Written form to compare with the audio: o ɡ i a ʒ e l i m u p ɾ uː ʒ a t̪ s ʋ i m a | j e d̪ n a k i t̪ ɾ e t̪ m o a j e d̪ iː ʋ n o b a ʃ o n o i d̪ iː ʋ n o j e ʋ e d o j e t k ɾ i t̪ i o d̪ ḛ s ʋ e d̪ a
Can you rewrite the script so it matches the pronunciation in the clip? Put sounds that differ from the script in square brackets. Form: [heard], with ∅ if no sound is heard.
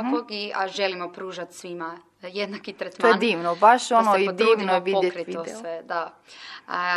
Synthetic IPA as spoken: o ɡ i a ʒ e l i m [o] p ɾ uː ʒ a t̪ s ʋ i m a | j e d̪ n a k i t̪ ɾ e t̪ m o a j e d̪ iː ʋ n o b a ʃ o n o i d̪ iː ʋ n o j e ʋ [i] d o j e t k ɾ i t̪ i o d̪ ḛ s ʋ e d̪ a